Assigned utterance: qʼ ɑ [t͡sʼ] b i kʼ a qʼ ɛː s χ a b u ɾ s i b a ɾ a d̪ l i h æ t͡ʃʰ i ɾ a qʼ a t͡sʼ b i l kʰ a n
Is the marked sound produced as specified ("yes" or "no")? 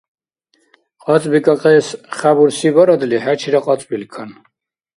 yes